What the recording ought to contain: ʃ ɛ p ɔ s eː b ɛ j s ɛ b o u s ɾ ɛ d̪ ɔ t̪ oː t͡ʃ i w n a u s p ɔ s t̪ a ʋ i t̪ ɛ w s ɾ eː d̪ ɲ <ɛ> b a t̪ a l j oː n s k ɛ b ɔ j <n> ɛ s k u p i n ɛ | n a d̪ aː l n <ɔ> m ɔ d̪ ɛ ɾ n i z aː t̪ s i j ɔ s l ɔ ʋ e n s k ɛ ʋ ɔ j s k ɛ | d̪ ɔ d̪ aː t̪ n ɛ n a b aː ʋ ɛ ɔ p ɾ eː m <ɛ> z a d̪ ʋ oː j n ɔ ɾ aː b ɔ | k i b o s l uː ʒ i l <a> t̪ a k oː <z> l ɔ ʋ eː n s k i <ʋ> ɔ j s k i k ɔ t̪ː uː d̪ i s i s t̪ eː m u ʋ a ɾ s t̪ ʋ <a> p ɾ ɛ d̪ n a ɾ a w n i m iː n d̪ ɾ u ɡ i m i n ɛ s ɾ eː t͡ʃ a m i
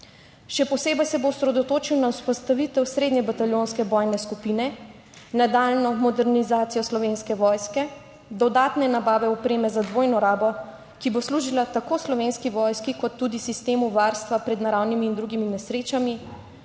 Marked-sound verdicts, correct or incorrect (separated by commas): correct, correct, correct, correct, correct, incorrect, correct, correct